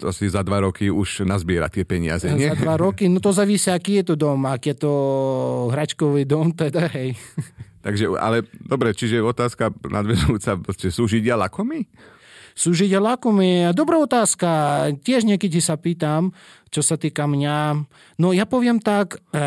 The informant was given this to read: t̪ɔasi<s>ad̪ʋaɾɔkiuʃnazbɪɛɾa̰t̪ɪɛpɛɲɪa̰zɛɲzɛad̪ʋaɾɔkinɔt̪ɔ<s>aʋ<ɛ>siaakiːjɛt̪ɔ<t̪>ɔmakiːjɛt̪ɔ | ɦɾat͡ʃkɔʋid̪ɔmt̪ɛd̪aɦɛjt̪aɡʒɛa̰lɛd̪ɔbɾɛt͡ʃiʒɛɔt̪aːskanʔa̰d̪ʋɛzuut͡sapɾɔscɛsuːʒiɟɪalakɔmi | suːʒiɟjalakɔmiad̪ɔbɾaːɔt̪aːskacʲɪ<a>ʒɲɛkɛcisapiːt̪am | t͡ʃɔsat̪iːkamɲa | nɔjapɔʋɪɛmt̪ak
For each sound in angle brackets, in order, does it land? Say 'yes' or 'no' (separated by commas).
no, no, no, no, no